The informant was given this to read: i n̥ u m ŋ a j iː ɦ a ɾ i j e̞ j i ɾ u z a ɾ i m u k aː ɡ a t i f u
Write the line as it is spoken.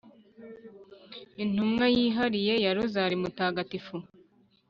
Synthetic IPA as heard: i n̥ u m ŋ a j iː ɦ a ɾ i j e̞ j a ɾ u z a ɾ i m u t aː ɡ a t i f u